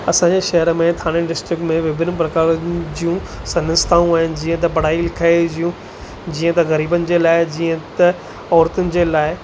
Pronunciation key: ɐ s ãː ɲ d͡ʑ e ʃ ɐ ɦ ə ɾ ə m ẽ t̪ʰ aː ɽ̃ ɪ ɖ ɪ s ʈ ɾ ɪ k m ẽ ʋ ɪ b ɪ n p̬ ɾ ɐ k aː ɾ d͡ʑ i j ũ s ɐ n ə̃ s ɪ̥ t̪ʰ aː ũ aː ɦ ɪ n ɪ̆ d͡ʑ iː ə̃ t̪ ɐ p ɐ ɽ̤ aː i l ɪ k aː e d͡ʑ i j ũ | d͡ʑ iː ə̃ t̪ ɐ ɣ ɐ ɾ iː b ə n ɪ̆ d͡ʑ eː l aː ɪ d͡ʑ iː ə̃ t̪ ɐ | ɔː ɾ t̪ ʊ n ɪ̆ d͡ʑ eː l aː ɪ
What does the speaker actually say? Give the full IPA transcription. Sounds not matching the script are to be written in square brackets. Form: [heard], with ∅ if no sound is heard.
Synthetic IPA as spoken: ɐ s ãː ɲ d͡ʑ e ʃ ɐ ɦ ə ɾ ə m ẽ t̪ʰ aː ɽ̃ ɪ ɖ ɪ s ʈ ɾ ɪ k m ẽ ʋ ɪ b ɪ n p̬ ɾ ɐ k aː ɾ d͡ʑ i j ũ s ɐ n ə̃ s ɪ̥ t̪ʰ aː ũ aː ɦ ɪ n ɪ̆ d͡ʑ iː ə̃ t̪ ɐ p ɐ ɽ̤ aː i l ɪ [kʰ] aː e d͡ʑ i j ũ | d͡ʑ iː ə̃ t̪ ɐ ɣ ɐ ɾ iː b ə n ɪ̆ d͡ʑ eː l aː ɪ d͡ʑ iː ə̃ t̪ ɐ | ɔː ɾ t̪ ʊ n ɪ̆ d͡ʑ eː l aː ɪ